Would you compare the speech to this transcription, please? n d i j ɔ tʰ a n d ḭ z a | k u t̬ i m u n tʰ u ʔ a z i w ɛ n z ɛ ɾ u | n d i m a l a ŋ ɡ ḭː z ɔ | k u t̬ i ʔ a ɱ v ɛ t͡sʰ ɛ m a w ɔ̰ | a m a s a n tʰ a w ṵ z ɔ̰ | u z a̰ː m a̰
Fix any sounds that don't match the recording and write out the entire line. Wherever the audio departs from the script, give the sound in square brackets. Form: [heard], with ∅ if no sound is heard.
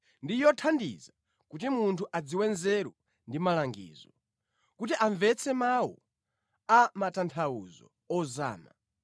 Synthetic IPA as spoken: n d i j ɔ tʰ a n d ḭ z a | k u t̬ i m u n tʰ u ʔ a [d͡z] i w ɛ n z ɛ ɾ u | n d i m a l a ŋ ɡ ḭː z ɔ | k u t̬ i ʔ a ɱ v ɛ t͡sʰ ɛ m a w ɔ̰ | a m a [t] a n tʰ a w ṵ z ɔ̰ | [ɔ] z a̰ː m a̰

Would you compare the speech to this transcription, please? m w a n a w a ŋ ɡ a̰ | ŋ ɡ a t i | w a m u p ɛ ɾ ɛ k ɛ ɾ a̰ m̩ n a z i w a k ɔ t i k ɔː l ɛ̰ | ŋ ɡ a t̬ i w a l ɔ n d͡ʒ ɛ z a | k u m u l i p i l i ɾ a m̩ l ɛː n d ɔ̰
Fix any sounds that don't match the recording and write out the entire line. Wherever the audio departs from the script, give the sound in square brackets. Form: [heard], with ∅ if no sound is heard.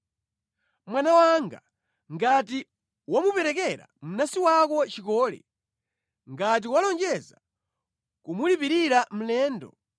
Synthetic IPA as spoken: m w a n a w a ŋ ɡ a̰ | ŋ ɡ a t i | w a m u p ɛ ɾ ɛ k ɛ ɾ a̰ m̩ n a [s] i w a k ɔ [t͡ʃ] i k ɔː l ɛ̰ | ŋ ɡ a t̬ i w a l ɔ n d͡ʒ ɛ z a | k u m u l i p i [ɾ] i ɾ a m̩ l ɛː n d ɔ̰

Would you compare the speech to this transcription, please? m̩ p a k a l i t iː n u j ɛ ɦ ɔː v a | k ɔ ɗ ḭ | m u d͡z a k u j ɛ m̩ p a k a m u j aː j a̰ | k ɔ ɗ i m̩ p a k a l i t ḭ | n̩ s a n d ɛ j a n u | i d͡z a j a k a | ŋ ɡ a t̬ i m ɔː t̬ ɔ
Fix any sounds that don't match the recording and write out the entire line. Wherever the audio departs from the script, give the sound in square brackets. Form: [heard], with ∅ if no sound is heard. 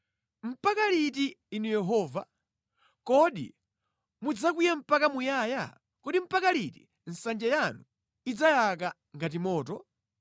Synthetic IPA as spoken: m̩ p a k a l i t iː n u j ɛ ɦ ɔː v a | k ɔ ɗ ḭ | m u d͡z a k u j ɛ m̩ p a k a m u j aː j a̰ | k ɔ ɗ i m̩ p a k a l i t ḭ | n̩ s a n [d͡ʒ] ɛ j a n u | i d͡z a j a k a | ŋ ɡ a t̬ i m ɔː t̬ ɔ

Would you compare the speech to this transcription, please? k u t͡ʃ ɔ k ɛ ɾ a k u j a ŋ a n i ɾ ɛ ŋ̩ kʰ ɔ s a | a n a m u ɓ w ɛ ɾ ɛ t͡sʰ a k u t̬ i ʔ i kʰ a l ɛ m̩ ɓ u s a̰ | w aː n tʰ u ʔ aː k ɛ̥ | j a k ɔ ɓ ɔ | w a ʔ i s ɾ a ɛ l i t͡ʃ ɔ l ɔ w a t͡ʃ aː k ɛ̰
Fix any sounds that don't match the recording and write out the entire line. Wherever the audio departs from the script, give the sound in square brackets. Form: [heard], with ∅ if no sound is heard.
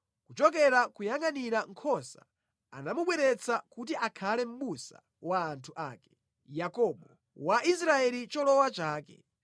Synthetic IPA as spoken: k u t͡ʃ ɔ k ɛ ɾ a k u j a ŋ a n i ɾ [a] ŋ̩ kʰ ɔ s a | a n a m u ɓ w ɛ ɾ ɛ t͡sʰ a k u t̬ i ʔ [a] kʰ a l ɛ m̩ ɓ u s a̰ | w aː n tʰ u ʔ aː k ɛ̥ | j a k ɔ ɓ ɔ | w a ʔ i s ɾ a ɛ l i t͡ʃ ɔ l ɔ w a t͡ʃ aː k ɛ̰

